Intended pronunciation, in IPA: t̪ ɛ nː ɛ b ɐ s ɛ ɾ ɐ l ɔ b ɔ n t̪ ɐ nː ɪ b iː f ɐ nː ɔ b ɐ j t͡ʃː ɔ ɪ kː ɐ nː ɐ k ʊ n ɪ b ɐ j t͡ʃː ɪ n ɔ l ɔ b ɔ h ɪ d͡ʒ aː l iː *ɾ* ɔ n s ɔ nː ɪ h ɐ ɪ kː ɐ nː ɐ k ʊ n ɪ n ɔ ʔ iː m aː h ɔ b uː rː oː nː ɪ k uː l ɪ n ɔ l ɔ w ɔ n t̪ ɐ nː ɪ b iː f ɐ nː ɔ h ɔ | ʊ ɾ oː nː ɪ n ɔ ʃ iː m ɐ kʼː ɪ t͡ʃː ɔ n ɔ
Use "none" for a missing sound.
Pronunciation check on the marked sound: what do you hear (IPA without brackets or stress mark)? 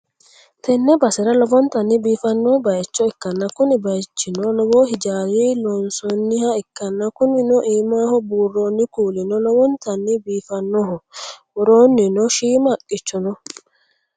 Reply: l